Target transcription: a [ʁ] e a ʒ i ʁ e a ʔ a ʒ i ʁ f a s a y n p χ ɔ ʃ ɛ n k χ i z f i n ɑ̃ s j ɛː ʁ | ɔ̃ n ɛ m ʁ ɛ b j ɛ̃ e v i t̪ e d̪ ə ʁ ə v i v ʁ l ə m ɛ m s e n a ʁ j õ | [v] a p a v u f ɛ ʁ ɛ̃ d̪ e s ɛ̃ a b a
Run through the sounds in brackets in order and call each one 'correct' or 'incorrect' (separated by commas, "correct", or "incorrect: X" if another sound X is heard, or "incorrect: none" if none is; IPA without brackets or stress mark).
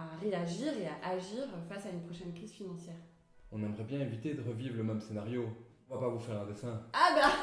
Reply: correct, correct